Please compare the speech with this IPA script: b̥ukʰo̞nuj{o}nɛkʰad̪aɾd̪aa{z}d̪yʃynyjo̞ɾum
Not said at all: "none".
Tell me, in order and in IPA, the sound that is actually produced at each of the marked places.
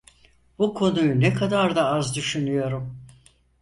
u, z

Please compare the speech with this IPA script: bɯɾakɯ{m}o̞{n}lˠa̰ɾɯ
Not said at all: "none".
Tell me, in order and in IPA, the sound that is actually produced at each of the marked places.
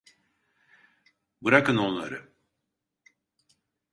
n, n

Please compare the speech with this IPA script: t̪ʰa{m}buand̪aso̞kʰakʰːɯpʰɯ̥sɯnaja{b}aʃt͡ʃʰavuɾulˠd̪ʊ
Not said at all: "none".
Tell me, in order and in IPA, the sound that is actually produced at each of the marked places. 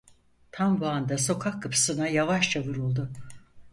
m, v

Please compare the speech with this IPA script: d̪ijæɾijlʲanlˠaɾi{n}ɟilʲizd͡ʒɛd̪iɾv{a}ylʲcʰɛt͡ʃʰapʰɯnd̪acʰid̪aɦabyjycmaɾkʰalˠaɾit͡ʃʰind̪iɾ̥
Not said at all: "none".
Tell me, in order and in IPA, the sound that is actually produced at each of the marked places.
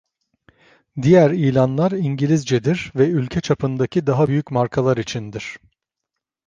ɲ, ɛ

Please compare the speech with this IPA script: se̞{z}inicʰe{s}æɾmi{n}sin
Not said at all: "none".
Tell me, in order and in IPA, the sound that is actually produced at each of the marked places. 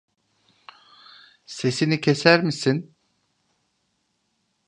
s, s, none

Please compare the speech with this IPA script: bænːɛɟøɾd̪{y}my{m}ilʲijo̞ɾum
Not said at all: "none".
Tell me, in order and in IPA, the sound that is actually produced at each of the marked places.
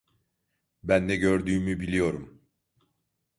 yː, b

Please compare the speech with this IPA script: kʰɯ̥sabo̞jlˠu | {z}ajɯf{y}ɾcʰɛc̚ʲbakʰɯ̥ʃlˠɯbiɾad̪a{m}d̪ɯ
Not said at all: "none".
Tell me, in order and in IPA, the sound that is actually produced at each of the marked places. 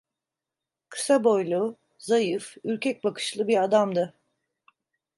z, y, m

